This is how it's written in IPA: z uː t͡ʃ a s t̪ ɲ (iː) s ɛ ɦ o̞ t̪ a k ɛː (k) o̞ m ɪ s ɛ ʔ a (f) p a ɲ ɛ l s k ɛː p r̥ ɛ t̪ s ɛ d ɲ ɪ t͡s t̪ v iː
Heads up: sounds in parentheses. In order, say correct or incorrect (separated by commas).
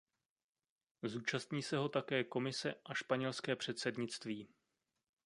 correct, correct, incorrect